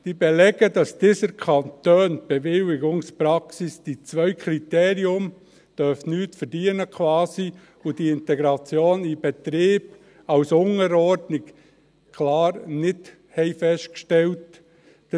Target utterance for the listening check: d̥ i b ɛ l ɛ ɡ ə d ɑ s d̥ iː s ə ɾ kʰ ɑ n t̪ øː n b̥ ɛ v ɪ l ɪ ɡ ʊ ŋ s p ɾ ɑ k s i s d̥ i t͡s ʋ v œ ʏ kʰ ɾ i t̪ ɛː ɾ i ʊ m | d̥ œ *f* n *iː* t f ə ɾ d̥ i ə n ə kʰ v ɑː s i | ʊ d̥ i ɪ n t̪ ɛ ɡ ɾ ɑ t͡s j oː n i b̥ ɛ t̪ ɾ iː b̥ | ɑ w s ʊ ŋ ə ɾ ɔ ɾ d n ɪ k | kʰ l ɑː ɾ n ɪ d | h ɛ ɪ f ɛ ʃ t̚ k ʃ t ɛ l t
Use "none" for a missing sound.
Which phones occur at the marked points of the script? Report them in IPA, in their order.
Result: f, yː

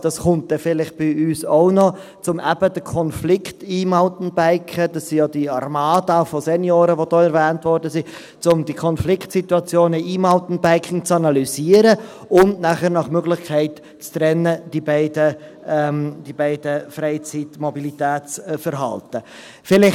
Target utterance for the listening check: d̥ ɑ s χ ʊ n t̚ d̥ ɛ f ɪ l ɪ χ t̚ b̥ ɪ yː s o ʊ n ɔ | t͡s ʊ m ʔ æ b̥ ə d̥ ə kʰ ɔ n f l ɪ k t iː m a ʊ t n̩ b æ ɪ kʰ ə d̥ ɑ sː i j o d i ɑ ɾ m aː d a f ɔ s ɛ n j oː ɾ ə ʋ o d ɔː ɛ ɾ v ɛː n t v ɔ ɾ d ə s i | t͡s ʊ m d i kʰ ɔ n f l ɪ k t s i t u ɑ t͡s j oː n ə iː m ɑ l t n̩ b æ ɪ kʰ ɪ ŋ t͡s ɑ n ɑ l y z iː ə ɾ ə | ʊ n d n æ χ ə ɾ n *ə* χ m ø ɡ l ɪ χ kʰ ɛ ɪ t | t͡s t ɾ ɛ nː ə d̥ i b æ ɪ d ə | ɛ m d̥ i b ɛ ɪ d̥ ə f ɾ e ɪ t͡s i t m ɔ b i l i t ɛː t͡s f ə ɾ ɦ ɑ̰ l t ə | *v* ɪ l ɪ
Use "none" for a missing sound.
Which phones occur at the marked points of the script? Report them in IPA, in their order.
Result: ɑ, f

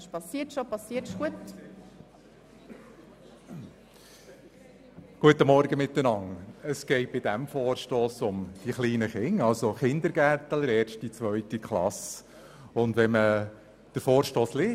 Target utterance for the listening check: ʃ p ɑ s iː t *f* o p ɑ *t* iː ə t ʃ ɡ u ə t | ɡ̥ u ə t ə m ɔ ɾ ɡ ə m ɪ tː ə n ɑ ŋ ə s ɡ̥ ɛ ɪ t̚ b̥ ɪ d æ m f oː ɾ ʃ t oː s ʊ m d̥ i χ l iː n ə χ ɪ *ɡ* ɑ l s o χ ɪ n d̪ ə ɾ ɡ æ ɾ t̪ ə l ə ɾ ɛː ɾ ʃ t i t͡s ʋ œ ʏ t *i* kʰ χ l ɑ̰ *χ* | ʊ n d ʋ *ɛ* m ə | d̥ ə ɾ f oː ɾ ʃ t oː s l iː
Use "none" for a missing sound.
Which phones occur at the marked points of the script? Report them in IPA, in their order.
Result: ʃ, s, ŋ, i, s, ɛ

